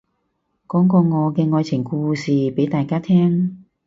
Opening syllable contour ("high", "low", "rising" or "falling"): rising